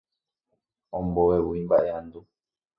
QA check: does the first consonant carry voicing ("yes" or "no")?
yes